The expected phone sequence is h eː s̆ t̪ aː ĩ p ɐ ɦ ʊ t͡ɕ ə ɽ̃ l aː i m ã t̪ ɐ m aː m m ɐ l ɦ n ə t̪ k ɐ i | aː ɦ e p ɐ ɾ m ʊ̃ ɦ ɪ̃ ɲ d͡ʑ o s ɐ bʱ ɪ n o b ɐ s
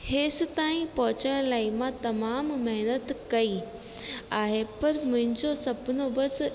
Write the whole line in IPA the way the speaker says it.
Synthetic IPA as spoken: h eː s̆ t̪ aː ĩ p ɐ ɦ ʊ t͡ɕ ə ɽ̃ l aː i m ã t̪ ɐ m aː m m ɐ ɦ n ə t̪ k ɐ i | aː ɦ e p ɐ ɾ m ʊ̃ ɦ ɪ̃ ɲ d͡ʑ o s ɐ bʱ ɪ n o b ɐ s